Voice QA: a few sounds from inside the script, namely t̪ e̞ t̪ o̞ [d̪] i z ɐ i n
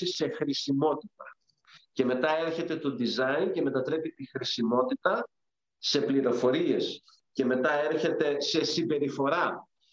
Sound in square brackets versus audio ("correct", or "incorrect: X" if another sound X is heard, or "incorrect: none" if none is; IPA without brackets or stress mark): correct